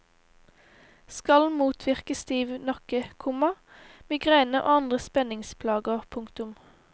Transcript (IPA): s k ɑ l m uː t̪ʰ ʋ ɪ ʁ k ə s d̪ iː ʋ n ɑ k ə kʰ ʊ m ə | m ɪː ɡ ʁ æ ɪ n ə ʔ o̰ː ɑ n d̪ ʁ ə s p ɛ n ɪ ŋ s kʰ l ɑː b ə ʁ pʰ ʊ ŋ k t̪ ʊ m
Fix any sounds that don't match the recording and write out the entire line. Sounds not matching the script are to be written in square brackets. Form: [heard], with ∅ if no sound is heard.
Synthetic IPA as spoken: s k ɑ l m uː t̪ʰ ʋ ɪ ʁ k ə s [t̪] iː ʋ n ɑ k ə kʰ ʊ m [ɑ] | m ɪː ɡ ʁ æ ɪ n ə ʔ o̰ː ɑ n d̪ ʁ ə s p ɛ n ɪ ŋ s [pʰ] l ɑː [ɡ] ə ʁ pʰ ʊ ŋ k t̪ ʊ m